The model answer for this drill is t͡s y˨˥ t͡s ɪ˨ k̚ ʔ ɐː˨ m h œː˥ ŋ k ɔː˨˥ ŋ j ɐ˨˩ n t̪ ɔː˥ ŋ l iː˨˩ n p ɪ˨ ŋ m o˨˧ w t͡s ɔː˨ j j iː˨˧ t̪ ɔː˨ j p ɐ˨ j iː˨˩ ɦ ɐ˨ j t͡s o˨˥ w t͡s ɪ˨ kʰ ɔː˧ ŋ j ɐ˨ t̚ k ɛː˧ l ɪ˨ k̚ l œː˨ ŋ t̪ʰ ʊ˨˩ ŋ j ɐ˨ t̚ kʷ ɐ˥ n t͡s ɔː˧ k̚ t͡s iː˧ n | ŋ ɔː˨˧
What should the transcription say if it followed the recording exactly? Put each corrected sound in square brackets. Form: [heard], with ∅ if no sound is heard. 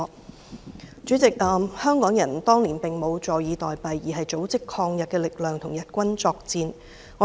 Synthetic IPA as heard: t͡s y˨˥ t͡s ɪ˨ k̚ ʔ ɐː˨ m h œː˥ ŋ k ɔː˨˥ ŋ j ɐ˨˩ n t̪ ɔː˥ ŋ l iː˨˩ n p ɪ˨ ŋ m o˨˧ w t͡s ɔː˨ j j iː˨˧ t̪ ɔː˨ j p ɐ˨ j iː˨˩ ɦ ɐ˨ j t͡s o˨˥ w t͡s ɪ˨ kʰ ɔː˧ ŋ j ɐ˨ t̚ k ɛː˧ l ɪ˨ k̚ l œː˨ ŋ t̪ʰ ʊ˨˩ ŋ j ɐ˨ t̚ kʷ ɐ˥ n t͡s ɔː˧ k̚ t͡s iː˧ n | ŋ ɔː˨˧